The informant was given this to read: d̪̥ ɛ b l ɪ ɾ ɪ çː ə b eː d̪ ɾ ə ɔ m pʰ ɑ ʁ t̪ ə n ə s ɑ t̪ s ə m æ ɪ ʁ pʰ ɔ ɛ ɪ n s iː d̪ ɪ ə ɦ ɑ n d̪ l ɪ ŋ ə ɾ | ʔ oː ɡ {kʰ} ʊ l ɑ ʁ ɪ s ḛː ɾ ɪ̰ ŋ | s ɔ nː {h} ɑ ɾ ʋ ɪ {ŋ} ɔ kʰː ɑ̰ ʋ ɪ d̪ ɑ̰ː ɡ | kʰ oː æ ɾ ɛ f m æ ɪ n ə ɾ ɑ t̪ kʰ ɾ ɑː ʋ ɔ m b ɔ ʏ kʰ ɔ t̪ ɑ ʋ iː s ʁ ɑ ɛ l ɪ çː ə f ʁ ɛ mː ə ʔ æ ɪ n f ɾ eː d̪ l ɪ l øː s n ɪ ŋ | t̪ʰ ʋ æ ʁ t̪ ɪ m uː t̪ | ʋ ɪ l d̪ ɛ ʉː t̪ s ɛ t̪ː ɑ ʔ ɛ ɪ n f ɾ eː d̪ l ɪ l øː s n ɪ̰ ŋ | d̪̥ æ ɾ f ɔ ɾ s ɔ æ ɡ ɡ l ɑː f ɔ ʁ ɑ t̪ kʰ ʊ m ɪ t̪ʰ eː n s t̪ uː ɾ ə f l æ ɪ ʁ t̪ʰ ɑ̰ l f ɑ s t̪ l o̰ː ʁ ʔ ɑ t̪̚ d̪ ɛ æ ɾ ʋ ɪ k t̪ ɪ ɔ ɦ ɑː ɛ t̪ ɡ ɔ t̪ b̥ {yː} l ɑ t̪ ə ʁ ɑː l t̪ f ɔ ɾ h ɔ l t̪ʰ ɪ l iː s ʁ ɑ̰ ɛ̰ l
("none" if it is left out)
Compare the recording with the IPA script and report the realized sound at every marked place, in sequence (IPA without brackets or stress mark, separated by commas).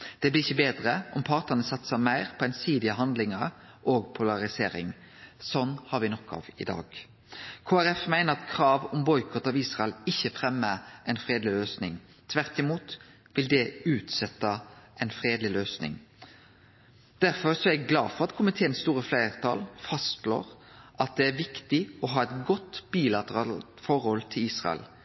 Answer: pʰ, h, n, iː